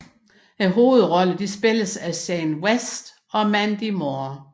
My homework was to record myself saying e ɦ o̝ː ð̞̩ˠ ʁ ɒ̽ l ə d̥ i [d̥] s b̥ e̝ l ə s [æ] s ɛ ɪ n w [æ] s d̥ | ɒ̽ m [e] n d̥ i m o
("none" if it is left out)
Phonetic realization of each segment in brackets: none, æ, e, æ

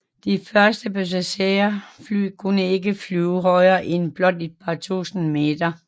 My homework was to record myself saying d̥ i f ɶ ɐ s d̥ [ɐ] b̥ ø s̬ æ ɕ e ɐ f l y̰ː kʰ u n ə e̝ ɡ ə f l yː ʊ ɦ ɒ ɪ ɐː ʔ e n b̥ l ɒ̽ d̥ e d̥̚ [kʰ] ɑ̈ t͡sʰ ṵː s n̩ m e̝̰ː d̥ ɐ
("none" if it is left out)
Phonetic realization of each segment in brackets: ə, pʰ

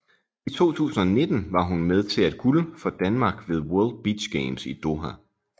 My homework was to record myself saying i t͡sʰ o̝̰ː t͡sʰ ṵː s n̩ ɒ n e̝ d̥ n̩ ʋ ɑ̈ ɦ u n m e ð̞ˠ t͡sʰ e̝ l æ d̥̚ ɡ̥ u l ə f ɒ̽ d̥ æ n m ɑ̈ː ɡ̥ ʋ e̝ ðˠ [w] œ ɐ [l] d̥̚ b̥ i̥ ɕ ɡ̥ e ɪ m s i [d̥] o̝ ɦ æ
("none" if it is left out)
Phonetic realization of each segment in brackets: w, l, d̥

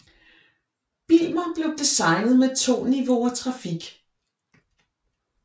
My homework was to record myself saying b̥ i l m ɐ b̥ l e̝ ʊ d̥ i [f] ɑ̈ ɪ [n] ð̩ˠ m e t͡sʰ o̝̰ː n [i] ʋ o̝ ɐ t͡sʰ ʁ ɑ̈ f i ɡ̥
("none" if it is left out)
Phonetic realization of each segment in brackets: s, n, i

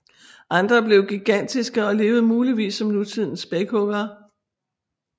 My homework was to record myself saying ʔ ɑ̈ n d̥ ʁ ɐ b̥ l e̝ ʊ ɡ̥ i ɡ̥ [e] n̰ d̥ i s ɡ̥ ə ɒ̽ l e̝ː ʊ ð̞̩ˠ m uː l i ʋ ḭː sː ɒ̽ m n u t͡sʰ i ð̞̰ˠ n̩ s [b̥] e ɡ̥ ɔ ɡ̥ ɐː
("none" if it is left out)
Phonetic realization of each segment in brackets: æ, b̥

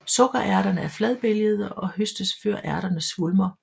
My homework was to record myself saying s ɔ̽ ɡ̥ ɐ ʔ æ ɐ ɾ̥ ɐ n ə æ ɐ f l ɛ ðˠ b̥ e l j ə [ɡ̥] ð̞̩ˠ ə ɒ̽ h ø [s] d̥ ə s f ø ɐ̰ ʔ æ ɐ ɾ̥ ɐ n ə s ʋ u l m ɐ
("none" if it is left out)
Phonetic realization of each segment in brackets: none, s

